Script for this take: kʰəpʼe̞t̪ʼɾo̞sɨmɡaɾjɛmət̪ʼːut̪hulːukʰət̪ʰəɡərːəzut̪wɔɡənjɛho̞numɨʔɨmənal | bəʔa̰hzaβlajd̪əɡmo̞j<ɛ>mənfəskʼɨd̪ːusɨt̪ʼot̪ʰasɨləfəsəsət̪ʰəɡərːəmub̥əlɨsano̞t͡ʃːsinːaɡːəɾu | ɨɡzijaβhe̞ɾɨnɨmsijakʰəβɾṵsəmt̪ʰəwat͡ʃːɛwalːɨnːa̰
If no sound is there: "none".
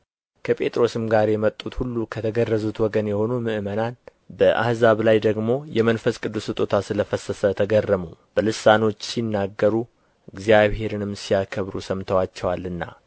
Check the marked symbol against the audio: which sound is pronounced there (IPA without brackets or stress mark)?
ɛ